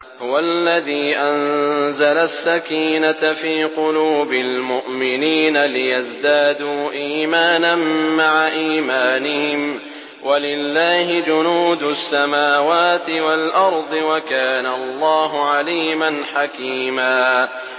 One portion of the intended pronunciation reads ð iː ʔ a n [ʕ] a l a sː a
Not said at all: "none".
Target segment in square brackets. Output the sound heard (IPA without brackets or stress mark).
z